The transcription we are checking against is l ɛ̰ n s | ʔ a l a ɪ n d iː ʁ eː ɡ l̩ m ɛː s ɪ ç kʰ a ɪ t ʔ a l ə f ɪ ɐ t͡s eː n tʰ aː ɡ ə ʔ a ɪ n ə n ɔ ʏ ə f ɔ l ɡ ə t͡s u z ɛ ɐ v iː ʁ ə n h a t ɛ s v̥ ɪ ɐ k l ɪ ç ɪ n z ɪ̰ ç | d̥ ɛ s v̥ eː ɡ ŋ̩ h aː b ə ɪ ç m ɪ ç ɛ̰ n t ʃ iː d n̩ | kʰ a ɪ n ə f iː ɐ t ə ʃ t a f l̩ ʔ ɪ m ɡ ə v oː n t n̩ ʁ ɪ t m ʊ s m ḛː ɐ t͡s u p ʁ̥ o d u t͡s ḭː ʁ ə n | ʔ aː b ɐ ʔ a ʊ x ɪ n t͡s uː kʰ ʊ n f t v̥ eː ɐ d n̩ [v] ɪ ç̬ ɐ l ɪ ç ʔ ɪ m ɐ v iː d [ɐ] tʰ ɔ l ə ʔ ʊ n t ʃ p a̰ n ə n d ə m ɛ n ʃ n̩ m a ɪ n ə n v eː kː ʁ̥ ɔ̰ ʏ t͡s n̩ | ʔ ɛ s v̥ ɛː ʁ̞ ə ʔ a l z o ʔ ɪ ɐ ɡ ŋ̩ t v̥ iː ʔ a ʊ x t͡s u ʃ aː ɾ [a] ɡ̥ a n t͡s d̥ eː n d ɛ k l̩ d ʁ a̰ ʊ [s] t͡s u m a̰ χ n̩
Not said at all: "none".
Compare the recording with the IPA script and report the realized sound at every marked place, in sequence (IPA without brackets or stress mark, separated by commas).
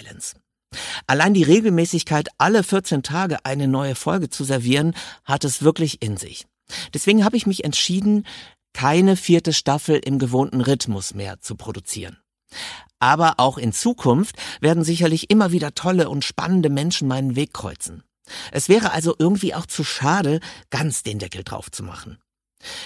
z, ɐ, ə, f